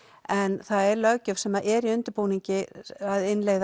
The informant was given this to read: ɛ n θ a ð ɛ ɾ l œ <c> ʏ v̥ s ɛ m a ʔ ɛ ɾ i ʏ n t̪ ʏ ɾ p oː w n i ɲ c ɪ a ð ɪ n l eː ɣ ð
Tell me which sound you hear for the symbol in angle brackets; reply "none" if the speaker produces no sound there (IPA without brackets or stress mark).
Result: c